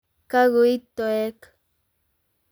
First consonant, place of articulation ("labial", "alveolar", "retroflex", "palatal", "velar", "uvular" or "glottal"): velar